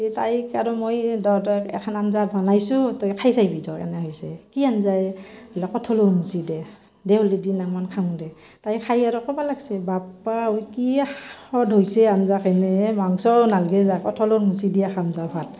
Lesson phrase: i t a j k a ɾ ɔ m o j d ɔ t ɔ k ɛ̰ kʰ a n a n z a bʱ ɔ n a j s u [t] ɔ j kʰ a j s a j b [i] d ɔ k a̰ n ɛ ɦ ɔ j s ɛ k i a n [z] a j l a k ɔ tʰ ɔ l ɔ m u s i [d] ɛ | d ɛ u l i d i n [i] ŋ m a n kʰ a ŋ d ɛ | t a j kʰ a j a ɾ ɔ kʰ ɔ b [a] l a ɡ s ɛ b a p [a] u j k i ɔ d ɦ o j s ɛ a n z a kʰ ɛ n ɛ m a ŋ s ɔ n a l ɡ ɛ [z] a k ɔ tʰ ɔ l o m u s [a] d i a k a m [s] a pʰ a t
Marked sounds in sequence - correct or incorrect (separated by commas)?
correct, correct, correct, correct, incorrect, correct, correct, correct, incorrect, incorrect